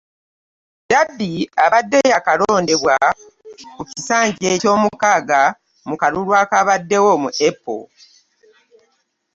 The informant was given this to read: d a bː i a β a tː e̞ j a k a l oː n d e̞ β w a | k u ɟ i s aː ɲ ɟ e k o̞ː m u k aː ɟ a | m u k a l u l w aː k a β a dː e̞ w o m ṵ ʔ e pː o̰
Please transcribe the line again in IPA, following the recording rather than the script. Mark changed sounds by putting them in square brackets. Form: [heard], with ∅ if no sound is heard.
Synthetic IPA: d a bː i a β a [dː] e̞ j a k a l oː n d e̞ β w a | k u [c] i s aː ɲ ɟ e [c] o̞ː m u k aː [ɡ] a | m u k a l u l w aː k a β a dː e̞ w o m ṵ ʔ e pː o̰